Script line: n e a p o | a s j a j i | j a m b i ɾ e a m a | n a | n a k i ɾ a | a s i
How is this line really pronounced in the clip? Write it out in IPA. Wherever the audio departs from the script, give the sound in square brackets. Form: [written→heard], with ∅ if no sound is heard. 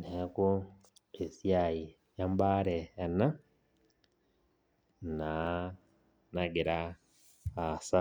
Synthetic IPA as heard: n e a [p→k] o | [a→e] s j a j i | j a m b [i→a] ɾ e a [m→n] a | n a | n a [k→ɡ] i ɾ a | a s [i→a]